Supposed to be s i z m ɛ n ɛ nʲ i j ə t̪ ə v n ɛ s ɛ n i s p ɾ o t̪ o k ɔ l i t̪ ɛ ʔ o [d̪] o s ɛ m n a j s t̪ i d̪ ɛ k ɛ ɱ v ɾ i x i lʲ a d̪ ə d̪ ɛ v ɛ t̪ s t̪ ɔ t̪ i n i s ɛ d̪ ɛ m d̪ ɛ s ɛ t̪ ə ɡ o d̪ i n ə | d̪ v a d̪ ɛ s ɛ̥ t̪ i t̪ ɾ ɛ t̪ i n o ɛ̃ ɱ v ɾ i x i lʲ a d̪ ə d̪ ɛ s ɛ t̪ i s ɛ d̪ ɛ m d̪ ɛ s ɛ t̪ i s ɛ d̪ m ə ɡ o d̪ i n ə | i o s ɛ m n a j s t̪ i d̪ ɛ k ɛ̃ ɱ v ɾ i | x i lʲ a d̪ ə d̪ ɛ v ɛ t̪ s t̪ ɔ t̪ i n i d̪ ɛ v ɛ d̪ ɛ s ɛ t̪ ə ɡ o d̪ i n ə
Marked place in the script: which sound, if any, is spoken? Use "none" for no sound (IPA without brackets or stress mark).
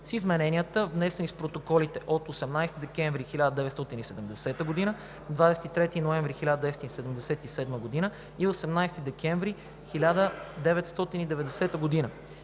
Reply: t̪